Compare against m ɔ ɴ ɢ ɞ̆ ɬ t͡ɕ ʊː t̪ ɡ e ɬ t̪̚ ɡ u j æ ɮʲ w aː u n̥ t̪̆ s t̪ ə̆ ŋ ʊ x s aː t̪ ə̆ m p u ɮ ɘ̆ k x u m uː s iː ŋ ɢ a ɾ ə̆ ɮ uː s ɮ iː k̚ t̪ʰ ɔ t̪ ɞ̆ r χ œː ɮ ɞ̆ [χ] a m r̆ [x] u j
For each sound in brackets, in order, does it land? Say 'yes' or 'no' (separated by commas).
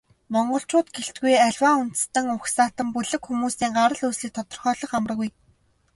yes, no